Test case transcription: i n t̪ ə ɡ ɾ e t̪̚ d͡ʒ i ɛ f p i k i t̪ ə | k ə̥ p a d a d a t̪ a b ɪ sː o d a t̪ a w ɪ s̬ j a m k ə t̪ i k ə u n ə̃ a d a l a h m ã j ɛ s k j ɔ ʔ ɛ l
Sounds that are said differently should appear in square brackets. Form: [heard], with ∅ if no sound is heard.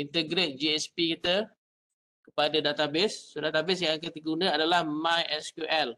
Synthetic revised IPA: i n t̪ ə ɡ ɾ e t̪̚ d͡ʒ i ɛ [s] p i k i t̪ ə | k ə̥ p a d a d a t̪ a b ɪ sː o d a t̪ a [b] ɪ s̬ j a [ŋ] k ə t̪ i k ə u n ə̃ a d a l a h m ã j ɛ s k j [u] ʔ ɛ l